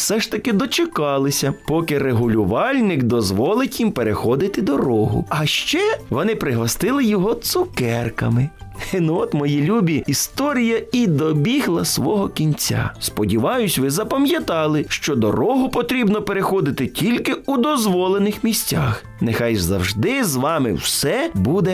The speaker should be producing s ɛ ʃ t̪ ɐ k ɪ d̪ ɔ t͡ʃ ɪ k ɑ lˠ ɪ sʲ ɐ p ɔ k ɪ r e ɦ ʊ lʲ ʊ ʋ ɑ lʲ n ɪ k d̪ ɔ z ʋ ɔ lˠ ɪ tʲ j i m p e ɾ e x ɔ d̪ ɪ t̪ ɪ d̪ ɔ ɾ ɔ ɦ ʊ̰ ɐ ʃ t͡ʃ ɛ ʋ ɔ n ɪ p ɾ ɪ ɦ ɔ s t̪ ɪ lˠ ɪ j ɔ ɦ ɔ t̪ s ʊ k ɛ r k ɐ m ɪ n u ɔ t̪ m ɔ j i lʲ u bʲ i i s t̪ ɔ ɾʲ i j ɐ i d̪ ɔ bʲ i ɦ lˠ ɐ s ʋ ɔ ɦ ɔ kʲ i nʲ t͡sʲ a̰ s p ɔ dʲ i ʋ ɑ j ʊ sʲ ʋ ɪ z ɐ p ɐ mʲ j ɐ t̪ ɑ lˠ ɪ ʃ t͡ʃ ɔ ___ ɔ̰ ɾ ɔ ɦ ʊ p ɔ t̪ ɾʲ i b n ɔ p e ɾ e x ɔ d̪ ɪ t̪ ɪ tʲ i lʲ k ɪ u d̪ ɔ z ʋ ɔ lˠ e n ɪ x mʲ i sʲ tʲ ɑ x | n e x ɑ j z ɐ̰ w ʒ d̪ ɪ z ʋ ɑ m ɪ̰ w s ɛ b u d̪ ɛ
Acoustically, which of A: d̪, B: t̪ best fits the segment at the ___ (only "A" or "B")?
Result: A